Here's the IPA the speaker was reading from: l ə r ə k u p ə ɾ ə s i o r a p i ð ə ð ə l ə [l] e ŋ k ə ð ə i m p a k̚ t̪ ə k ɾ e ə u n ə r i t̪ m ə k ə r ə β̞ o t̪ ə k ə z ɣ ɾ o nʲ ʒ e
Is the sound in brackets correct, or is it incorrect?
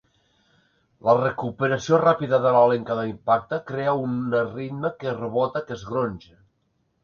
correct